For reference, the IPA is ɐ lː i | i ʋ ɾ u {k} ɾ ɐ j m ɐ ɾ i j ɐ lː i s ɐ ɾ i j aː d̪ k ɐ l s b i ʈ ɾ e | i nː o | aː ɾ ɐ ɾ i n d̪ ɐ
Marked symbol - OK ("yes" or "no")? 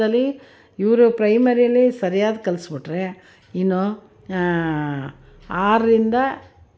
no